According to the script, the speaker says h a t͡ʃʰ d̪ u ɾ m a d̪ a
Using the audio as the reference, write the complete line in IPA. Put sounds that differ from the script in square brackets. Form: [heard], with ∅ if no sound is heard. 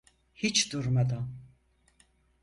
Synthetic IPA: h [i] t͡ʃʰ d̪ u ɾ m a d̪ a